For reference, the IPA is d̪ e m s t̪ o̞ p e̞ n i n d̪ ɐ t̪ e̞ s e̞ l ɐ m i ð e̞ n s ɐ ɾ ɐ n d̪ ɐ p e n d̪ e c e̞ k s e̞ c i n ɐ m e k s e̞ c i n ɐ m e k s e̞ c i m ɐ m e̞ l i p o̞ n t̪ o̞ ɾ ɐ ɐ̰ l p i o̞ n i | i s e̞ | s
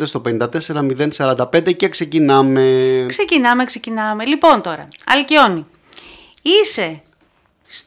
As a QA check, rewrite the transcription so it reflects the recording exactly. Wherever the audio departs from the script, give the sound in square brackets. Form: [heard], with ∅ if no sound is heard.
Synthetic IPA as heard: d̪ e [∅] s t̪ o̞ p e̞ n i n d̪ ɐ t̪ e̞ s e̞ [ɾ] ɐ m i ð e̞ n s ɐ ɾ ɐ n d̪ ɐ p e n d̪ e c e̞ k s e̞ c i n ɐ m e k s e̞ c i n ɐ m e k s e̞ c i [n] ɐ m e̞ l i p o̞ n t̪ o̞ ɾ ɐ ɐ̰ l [c] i o̞ n i | i s e̞ | s